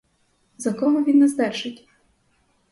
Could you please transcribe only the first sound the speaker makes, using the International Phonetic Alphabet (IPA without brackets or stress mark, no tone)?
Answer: z